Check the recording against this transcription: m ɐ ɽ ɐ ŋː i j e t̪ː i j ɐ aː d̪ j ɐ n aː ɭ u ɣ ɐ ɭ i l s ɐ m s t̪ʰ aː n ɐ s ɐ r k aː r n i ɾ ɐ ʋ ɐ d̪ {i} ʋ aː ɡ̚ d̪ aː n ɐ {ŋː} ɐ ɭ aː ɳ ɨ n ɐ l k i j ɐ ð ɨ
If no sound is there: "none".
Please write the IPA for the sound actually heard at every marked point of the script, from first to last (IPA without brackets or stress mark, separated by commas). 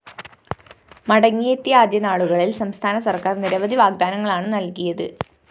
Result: i, ŋː